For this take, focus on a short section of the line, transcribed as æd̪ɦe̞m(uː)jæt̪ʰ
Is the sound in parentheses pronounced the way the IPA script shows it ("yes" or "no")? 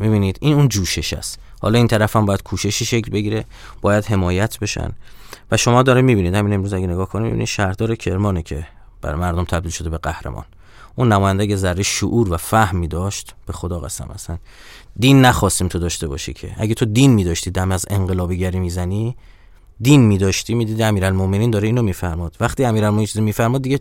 no